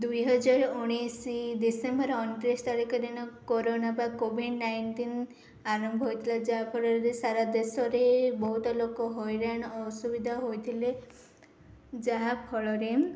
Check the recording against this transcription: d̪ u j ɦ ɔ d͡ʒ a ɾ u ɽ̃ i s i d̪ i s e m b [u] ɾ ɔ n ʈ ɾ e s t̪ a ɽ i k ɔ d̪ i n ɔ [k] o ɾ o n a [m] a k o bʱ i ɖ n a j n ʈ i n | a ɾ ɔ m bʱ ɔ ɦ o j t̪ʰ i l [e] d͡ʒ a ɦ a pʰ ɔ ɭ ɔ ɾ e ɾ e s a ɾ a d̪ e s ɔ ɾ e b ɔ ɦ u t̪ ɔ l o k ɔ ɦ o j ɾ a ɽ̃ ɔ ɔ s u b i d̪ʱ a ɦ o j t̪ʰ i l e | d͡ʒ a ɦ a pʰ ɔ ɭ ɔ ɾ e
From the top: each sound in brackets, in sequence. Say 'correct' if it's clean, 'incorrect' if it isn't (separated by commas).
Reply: incorrect, correct, incorrect, incorrect